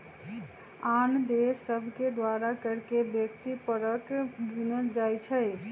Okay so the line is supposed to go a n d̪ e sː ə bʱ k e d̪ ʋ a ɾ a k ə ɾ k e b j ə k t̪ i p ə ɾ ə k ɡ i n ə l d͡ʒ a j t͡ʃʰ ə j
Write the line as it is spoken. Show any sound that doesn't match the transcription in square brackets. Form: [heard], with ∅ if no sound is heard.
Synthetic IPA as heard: a n d̪ e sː ə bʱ k e d̪ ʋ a ɾ a k ə ɾ k e b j ə k t̪ i p ə ɾ ə k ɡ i n ə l d͡ʒ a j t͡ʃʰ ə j